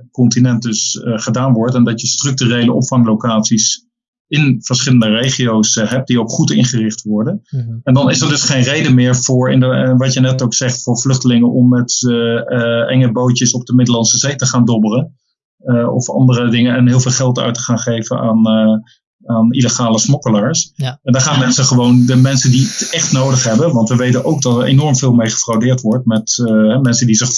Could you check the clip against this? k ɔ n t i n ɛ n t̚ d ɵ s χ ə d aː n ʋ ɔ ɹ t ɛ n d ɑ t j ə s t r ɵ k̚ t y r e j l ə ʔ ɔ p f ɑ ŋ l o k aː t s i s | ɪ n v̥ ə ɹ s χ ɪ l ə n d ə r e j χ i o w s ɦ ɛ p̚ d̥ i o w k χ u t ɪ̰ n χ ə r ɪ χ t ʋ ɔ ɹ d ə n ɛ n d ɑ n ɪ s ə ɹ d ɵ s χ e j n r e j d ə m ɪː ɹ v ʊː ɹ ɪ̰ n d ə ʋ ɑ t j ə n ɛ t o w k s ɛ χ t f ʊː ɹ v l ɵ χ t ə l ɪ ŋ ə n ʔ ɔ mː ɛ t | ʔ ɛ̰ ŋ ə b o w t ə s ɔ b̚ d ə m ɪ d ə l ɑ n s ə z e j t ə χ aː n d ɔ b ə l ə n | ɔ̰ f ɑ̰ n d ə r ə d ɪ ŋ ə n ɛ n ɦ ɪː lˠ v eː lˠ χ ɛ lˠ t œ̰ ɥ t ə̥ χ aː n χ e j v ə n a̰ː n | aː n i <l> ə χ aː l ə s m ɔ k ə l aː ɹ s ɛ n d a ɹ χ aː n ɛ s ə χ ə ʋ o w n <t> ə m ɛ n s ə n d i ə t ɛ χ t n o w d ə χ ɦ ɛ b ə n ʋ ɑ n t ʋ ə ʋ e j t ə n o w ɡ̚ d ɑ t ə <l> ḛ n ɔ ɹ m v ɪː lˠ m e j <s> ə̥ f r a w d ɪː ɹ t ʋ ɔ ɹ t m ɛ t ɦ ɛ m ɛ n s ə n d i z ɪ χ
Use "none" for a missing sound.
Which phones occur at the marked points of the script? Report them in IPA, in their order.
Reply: l, d, ɹ, χ

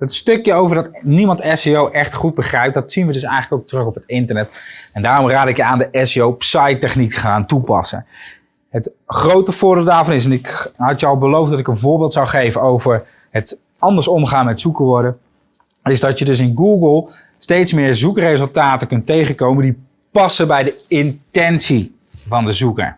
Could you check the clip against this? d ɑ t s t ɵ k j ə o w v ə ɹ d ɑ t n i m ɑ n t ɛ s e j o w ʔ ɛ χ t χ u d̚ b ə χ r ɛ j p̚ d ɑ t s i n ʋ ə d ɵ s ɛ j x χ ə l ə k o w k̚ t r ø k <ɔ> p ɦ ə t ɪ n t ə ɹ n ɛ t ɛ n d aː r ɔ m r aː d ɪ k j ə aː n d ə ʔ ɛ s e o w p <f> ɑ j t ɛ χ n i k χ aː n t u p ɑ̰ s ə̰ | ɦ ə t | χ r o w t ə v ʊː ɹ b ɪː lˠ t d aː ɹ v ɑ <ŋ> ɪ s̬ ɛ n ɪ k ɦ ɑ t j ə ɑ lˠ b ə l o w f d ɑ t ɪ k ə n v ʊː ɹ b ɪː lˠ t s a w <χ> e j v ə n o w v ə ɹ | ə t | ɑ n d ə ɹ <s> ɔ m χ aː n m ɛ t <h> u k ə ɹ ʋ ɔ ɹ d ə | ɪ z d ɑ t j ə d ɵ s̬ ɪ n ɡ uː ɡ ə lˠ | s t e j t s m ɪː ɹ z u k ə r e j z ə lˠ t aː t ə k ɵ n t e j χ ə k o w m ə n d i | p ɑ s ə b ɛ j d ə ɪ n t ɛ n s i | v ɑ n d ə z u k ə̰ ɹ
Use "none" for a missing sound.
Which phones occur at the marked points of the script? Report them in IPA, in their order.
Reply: ɔ, s, n, χ, s, s

